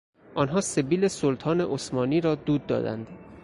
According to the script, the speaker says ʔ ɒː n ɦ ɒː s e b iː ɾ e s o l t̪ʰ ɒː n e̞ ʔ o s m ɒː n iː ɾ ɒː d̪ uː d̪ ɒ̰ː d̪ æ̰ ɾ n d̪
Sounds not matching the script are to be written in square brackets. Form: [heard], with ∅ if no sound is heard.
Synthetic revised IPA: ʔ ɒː n ɦ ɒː s e b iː [l] e s o l t̪ʰ ɒː n e̞ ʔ o s m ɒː n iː ɾ ɒː d̪ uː [d̪ː] ɒ̰ː d̪ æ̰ [∅] n d̪